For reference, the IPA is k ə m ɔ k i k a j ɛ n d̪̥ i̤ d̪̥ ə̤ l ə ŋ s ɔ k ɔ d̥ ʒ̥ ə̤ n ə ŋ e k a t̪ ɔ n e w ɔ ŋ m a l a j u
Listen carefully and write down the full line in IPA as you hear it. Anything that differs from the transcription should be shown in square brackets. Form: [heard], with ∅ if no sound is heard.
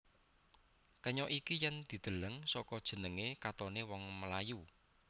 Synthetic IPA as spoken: k ə [ɲ] ɔ [ʔ] i k [i] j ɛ n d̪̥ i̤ d̪̥ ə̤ l ə ŋ s ɔ k ɔ d̥ ʒ̥ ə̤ n ə ŋ e k a t̪ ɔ n e w ɔ ŋ m [ə] l a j u